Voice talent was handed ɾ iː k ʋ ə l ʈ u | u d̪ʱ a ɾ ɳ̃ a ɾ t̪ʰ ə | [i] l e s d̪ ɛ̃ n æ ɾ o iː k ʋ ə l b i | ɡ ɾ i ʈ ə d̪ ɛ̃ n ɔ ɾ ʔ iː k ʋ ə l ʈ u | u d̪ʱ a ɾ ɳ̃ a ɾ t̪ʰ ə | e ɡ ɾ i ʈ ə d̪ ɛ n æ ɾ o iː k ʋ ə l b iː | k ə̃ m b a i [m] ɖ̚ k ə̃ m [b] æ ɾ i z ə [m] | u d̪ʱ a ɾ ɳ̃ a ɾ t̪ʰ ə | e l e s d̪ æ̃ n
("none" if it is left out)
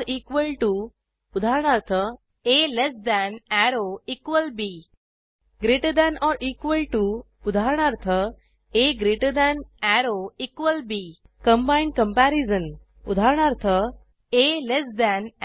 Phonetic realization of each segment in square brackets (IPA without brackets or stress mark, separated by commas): e, ɳ, p, n